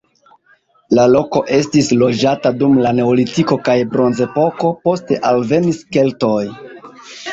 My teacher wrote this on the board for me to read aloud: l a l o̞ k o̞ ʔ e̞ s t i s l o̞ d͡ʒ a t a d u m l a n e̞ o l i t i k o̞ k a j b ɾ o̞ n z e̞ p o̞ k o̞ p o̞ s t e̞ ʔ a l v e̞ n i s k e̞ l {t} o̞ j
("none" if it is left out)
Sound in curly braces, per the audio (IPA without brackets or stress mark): t